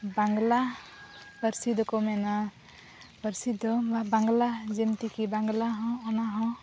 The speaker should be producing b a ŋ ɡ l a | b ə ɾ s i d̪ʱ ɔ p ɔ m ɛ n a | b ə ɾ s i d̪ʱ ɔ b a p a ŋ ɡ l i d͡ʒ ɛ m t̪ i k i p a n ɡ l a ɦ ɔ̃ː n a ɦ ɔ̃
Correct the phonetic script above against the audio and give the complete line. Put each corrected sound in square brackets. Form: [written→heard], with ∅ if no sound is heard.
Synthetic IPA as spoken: b a ŋ ɡ l a | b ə ɾ s i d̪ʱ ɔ [p→k] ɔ m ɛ n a | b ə ɾ s i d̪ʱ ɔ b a [p→b] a ŋ ɡ l [i→a] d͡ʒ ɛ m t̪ i k i [p→b] a [n→ŋ] ɡ l a ɦ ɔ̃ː n a ɦ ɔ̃